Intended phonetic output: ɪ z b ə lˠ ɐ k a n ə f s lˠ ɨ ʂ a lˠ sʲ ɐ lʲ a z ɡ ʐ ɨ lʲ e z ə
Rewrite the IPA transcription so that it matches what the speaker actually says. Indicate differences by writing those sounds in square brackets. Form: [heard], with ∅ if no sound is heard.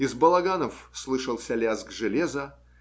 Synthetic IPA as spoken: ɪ z b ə lˠ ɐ [ɡ] a n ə f s lˠ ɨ ʂ [ə] lˠ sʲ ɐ lʲ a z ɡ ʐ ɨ lʲ e z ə